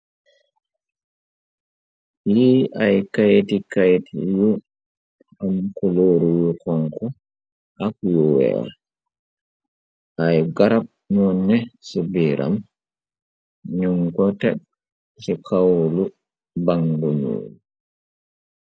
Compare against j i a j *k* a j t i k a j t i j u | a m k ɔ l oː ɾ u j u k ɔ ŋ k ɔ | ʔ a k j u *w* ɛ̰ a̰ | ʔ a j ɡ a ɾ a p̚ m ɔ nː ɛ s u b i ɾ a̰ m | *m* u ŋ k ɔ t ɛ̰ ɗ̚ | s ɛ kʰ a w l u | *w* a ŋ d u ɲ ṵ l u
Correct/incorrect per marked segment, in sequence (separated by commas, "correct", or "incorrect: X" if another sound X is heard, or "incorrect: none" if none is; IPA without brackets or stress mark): correct, correct, incorrect: ɲ, incorrect: b